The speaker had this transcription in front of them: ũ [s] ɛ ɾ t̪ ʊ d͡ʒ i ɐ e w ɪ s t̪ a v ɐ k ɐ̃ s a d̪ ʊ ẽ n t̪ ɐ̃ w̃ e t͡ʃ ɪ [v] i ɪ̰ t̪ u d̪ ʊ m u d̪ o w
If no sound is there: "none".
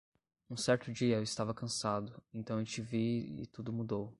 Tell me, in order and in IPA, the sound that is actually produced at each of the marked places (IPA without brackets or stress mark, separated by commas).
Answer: s, v